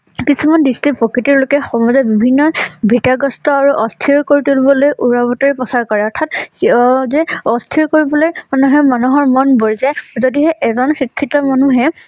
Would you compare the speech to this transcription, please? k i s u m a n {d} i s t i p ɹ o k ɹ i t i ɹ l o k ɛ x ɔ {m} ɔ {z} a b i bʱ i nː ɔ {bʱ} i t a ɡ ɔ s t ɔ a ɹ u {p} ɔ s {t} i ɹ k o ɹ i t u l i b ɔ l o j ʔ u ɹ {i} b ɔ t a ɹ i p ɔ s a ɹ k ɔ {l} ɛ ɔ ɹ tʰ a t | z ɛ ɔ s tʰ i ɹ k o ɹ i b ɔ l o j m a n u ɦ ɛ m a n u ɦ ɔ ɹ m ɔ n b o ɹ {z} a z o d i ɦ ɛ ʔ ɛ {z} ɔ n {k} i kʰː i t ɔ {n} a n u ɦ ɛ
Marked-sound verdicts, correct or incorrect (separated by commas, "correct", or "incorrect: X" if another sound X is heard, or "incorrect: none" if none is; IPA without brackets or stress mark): correct, correct, correct, correct, incorrect: ʔ, incorrect: tʰ, incorrect: a, incorrect: ɹ, correct, correct, incorrect: x, incorrect: m